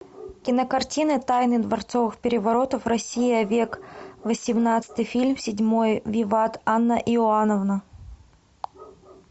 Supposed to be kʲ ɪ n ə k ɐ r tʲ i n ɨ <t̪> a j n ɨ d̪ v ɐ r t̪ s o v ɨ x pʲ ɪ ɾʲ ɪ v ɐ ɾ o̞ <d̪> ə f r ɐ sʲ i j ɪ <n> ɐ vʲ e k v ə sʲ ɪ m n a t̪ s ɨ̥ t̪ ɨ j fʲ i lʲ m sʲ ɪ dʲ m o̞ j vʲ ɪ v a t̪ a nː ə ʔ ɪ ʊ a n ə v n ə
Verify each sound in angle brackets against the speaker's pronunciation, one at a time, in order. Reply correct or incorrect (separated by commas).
correct, incorrect, incorrect